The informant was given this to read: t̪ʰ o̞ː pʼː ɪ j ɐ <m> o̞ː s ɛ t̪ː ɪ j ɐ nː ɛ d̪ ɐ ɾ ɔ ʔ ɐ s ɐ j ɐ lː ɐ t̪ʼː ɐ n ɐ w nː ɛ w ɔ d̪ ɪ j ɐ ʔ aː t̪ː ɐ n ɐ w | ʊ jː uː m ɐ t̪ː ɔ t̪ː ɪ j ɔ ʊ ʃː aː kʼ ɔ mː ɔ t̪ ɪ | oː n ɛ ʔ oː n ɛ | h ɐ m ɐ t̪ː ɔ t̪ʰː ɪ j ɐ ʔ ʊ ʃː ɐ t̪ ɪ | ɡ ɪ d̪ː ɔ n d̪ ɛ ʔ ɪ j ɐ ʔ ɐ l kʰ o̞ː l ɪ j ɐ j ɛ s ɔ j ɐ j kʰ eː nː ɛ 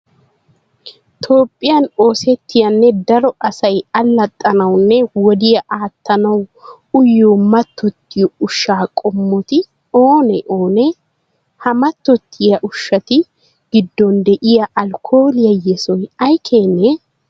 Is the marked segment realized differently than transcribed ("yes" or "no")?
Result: yes